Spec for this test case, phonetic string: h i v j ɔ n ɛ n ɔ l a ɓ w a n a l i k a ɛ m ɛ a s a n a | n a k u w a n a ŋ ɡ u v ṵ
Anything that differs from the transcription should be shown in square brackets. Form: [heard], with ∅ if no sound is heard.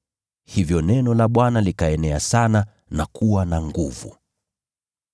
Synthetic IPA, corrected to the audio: h i v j ɔ n ɛ n ɔ l a ɓ w a n a l i k a ɛ [n] ɛ a s a n a | n a k u w a n a ŋ ɡ u v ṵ